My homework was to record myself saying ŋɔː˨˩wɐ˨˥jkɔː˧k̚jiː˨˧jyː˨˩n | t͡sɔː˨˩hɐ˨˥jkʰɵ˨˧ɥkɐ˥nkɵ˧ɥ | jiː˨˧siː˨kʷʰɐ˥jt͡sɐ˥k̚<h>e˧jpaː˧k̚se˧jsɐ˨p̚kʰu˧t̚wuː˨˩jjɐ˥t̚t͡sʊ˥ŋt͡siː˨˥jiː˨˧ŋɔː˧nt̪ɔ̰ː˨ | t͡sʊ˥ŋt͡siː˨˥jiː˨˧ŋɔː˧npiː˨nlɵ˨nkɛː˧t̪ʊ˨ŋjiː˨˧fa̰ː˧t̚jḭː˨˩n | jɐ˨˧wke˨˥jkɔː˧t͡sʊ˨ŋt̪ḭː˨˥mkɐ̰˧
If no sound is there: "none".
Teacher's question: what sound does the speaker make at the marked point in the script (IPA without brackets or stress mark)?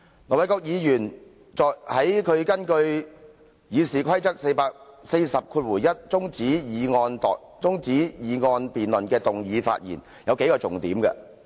s